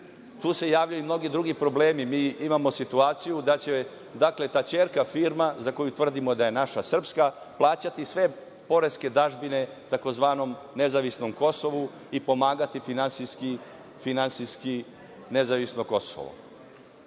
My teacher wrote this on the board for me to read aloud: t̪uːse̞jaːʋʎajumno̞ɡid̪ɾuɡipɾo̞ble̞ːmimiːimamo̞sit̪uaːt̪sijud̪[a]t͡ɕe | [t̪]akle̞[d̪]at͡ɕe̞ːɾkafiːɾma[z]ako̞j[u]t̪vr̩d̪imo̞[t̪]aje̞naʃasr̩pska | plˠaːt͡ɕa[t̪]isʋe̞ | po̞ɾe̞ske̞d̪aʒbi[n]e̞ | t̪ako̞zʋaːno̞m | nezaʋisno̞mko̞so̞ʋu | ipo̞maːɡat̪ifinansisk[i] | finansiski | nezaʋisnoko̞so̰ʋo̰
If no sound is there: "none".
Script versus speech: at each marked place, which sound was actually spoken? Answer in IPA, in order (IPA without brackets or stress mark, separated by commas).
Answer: a, d̪, t̪, z, u, d̪, t̪, n, i